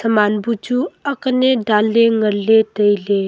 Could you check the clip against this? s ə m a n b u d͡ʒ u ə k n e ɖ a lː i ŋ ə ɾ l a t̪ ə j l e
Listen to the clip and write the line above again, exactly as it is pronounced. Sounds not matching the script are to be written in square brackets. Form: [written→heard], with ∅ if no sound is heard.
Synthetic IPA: s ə m a n b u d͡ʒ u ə k n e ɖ a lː [i→e] ŋ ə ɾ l [a→e] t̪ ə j l e

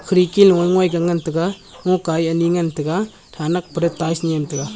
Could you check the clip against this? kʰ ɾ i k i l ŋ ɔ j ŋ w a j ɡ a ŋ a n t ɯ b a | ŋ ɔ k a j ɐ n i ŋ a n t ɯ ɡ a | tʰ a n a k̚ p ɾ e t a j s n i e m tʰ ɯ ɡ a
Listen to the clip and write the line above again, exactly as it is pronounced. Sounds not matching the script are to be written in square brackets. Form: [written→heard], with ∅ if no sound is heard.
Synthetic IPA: kʰ ɾ i k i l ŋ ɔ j ŋ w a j ɡ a ŋ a n t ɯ [b→ɡ] a | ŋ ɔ k a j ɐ n i ŋ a n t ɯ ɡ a | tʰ a n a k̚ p ɾ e t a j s n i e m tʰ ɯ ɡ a

